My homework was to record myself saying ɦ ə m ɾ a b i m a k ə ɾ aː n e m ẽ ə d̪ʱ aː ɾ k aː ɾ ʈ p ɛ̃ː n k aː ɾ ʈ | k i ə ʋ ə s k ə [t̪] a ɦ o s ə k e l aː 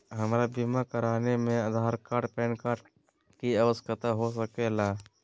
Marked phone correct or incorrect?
correct